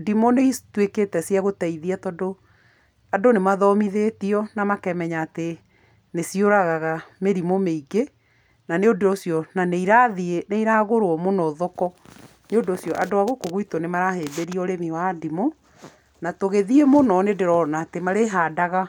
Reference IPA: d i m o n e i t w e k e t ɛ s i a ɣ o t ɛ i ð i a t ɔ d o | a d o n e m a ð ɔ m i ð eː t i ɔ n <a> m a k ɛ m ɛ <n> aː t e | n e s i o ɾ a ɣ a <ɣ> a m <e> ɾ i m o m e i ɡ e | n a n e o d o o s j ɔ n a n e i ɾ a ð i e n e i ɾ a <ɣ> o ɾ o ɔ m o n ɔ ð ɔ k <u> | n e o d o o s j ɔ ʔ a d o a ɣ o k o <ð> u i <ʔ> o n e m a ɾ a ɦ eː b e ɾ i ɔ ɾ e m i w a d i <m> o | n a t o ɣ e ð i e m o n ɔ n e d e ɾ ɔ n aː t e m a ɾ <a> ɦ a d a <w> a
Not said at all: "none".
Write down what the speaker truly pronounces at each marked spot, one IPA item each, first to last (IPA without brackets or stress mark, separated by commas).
a, ɲ, ɣ, e, ɣ, ɔ, ɣ, t, m, e, ɣ